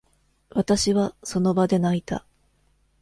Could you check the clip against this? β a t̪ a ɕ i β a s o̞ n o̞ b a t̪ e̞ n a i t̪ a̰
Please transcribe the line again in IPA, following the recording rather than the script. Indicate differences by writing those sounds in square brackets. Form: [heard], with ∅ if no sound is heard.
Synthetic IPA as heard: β a t̪ a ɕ i β a s o̞ n o̞ b a [d̪] e̞ n a i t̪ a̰